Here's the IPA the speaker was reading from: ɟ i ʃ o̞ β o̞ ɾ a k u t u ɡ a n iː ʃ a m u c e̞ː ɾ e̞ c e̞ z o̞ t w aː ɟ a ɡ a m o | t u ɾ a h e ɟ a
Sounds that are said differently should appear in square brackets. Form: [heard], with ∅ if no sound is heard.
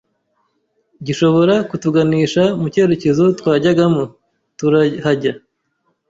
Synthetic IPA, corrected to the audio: ɟ i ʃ o̞ β o̞ ɾ a k u t u ɡ a n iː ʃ a m u c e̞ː ɾ e̞ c e̞ z o̞ t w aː ɟ a ɡ a m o | t u ɾ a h [a] ɟ a